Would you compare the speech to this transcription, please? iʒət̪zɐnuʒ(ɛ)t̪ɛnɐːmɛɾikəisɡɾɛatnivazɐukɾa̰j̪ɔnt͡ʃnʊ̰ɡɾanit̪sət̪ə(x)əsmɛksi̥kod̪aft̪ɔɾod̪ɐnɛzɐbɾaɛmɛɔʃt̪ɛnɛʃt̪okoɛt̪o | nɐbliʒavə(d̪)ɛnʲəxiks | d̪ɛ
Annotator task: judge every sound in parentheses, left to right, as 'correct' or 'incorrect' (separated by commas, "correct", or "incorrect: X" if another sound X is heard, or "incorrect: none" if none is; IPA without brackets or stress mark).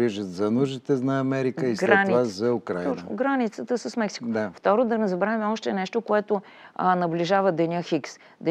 incorrect: i, incorrect: s, correct